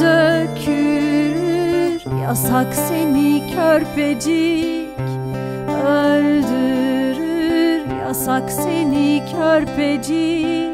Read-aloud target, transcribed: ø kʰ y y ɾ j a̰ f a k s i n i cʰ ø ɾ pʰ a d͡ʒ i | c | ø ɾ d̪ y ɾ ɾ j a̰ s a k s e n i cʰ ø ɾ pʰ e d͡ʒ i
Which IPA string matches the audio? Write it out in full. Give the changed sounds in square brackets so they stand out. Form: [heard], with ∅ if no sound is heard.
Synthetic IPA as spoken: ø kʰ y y ɾ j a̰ [s] a k s [e] n i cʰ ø ɾ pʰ [e] d͡ʒ i | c | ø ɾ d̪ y ɾ ɾ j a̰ s a k s e n i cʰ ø ɾ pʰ e d͡ʒ i